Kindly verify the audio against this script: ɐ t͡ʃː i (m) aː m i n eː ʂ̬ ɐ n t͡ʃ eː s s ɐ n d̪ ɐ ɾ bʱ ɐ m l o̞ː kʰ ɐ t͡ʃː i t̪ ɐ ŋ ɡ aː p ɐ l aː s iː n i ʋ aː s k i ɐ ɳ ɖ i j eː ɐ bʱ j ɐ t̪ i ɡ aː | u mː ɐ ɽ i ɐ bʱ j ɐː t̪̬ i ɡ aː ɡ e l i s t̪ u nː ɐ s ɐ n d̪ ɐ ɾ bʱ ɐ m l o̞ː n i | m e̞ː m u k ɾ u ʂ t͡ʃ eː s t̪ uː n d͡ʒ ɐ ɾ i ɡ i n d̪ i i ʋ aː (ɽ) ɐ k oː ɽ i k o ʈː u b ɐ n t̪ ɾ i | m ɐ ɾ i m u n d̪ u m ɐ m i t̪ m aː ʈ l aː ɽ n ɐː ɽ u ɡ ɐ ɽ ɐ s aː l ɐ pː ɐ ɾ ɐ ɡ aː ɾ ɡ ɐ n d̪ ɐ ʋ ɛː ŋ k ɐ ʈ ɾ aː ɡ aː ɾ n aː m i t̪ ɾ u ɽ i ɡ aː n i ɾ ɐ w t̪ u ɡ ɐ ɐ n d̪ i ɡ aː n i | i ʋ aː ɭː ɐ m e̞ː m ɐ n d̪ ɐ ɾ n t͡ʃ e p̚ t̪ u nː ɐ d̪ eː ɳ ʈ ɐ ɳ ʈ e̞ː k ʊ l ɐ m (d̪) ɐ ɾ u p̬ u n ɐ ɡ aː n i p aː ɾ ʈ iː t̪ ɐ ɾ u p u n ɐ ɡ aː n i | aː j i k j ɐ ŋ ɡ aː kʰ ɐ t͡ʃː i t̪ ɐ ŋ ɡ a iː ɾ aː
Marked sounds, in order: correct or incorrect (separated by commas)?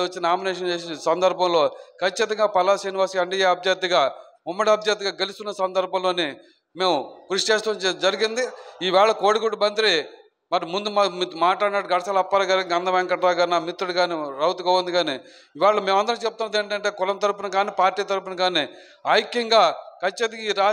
incorrect, incorrect, incorrect